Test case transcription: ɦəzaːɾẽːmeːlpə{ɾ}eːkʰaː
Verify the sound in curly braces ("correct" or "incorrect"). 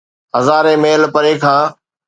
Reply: correct